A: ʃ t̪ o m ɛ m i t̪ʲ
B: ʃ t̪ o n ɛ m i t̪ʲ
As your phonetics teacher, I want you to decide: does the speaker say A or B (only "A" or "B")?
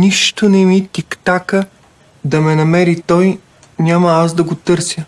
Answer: B